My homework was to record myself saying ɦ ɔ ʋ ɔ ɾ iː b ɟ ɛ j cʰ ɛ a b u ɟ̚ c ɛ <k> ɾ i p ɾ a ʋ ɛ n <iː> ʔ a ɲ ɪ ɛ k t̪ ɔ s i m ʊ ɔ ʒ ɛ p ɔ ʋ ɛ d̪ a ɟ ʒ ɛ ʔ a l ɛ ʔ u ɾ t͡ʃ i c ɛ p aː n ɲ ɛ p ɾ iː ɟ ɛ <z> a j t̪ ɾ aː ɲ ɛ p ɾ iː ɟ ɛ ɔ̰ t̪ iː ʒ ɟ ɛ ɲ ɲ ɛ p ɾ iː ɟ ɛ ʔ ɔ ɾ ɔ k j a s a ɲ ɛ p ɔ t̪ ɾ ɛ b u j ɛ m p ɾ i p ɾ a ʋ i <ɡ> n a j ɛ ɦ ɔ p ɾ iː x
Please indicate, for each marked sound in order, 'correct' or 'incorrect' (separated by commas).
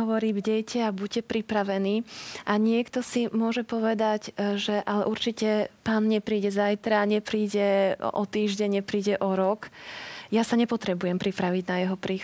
incorrect, correct, correct, incorrect